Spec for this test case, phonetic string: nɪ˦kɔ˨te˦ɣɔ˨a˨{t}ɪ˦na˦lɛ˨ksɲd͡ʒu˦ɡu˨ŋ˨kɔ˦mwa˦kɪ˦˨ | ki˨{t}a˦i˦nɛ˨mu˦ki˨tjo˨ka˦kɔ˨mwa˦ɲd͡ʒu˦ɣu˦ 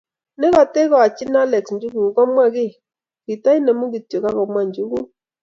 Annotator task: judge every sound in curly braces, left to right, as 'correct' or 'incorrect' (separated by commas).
incorrect, correct